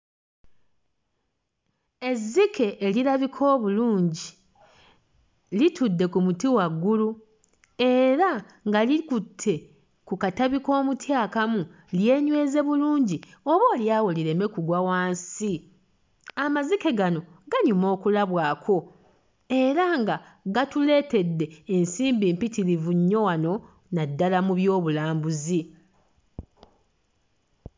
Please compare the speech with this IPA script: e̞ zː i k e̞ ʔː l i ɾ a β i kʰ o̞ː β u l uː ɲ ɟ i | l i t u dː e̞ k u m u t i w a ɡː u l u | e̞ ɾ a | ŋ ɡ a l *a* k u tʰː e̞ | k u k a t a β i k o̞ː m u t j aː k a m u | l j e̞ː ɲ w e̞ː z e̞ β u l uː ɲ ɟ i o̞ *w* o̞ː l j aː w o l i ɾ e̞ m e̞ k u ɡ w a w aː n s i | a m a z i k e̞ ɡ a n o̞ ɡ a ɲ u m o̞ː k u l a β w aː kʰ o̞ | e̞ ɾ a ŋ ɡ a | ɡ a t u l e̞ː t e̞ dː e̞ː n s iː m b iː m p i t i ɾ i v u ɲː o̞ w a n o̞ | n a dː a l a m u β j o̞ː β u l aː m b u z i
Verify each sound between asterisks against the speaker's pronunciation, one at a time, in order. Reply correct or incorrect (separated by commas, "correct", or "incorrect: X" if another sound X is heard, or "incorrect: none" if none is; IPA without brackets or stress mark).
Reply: incorrect: i, incorrect: β